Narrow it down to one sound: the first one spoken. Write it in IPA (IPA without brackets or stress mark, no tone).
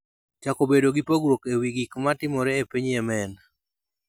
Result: t͡ʃ